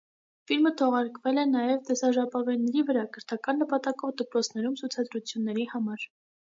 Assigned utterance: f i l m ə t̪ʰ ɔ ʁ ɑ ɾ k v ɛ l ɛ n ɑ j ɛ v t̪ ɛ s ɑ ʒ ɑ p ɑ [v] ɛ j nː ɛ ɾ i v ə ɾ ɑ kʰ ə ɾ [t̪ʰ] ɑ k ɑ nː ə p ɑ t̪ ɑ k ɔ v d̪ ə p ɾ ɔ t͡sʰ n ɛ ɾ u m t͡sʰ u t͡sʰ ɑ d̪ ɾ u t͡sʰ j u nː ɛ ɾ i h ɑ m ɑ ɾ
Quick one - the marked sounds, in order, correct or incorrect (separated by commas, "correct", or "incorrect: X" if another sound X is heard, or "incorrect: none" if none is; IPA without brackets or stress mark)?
correct, correct